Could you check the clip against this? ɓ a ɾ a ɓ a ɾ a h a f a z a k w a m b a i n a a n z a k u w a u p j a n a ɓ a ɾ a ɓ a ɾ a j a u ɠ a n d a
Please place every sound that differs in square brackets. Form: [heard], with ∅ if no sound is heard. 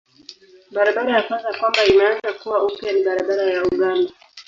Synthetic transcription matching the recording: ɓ a ɾ a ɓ a ɾ a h a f a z a k w a m b a i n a a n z a k u w a u p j a n [i] ɓ a ɾ a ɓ a ɾ a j a u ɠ a n d a